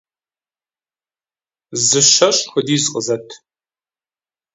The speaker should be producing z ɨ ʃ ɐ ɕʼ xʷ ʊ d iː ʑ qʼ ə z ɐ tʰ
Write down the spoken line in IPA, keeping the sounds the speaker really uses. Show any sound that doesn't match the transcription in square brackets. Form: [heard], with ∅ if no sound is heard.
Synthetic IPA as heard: z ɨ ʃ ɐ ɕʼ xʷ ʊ d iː [z] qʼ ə z ɐ tʰ